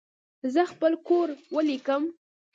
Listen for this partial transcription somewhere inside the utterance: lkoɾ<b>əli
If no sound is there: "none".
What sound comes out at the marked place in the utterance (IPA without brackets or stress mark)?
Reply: w